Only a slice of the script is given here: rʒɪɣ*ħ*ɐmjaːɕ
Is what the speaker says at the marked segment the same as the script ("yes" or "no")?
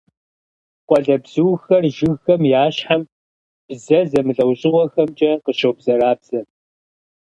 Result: no